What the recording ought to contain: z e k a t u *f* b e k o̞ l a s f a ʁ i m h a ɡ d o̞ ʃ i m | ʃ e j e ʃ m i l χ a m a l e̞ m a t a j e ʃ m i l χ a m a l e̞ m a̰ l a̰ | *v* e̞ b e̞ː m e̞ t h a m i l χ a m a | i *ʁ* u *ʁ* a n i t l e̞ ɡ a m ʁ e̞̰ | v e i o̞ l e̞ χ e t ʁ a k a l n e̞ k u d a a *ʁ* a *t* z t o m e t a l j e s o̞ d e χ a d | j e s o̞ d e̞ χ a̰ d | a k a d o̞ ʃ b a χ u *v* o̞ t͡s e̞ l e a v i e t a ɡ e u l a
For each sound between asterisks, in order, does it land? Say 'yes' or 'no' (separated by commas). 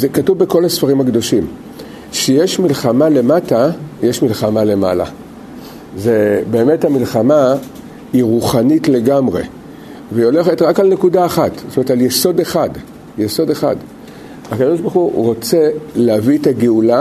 no, no, yes, no, no, yes, no